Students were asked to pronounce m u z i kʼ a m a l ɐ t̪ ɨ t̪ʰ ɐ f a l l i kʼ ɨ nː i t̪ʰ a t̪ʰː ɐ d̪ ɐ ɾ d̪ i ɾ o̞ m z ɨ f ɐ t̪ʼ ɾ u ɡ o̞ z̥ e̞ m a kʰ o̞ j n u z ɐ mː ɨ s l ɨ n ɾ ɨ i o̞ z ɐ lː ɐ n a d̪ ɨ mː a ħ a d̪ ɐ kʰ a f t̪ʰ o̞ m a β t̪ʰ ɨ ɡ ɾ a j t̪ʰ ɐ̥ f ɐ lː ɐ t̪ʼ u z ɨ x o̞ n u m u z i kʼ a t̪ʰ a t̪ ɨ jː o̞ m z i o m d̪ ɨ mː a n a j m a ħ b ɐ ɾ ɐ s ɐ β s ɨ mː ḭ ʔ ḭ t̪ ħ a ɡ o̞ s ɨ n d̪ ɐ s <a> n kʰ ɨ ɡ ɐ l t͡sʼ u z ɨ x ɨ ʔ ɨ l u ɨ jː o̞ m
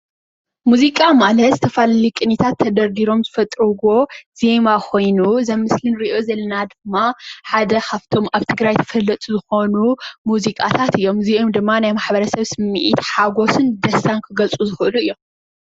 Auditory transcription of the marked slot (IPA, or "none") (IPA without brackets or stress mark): a